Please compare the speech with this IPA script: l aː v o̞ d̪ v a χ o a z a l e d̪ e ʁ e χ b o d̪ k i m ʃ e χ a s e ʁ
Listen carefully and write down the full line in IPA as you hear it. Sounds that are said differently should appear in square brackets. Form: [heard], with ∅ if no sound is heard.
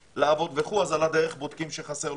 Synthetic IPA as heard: l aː v o̞ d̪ v [e] χ [u] a z a l [a] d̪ e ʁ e χ b o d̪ k i m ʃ e χ a s e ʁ